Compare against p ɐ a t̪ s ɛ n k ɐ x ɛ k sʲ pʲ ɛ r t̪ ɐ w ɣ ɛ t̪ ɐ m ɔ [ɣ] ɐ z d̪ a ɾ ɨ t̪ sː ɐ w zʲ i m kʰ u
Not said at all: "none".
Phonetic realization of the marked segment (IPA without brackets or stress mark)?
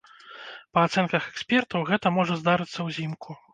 ʐ